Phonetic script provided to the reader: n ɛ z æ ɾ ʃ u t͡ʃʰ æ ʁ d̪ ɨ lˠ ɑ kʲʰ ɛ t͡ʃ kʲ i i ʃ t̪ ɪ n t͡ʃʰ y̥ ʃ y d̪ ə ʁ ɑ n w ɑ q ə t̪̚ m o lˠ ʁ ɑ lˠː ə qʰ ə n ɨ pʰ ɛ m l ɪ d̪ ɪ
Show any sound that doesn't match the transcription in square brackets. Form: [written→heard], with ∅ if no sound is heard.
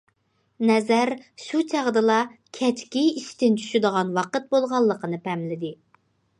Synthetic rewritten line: n ɛ z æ ɾ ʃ u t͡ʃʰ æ ʁ d̪ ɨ lˠ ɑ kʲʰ ɛ t͡ʃ kʲ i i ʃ t̪ ɪ n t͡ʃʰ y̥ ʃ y d̪ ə ʁ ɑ n w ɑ q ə t̪̚ [m→b] o lˠ ʁ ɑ lˠː ə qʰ ə n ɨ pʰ ɛ m l ɪ d̪ ɪ